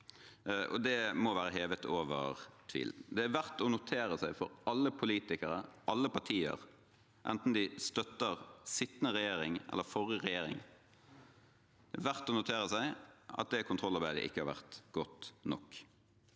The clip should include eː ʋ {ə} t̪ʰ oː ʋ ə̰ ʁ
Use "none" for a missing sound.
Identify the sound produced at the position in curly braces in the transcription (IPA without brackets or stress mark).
ə